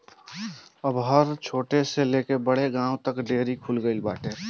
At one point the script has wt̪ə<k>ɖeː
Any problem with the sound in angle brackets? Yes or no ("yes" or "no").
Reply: no